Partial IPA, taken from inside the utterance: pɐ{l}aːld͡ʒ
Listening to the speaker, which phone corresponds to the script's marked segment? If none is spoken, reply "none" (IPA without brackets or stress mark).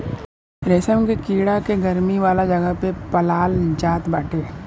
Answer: l